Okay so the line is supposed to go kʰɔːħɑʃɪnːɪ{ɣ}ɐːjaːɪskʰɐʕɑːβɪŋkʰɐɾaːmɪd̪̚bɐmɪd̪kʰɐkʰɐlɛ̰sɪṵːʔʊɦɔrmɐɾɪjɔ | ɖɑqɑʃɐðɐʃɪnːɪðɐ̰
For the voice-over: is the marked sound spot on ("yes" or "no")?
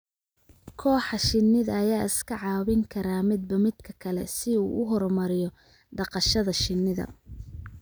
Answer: no